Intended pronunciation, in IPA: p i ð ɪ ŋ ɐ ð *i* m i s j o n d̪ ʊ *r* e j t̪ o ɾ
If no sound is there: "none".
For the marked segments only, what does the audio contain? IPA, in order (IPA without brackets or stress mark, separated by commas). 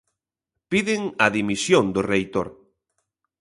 i, r